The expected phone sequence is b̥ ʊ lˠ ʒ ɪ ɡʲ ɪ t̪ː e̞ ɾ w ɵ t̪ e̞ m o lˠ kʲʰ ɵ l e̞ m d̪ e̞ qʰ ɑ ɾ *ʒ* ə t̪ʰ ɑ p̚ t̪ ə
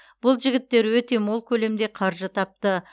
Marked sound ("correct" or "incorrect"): correct